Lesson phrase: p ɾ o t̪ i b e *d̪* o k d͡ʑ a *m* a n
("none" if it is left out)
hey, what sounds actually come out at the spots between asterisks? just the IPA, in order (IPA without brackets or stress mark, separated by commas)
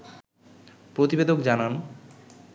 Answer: d̪, n